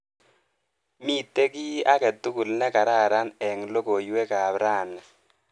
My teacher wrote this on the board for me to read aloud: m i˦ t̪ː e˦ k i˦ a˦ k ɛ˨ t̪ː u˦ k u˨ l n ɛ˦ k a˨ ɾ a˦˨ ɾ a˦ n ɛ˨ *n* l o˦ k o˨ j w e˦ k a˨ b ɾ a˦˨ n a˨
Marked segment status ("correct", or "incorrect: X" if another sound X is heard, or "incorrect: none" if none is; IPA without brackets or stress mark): incorrect: ŋ